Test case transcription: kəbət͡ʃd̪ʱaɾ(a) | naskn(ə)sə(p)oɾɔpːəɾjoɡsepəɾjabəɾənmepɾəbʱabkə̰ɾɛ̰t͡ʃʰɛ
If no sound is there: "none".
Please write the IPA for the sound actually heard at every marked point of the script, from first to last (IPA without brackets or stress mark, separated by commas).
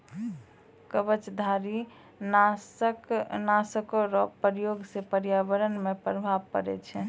i, a, k